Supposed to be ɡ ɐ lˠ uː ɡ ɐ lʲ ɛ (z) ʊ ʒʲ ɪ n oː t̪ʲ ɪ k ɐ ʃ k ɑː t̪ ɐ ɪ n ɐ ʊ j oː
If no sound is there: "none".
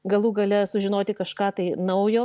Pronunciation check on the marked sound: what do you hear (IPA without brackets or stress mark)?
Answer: s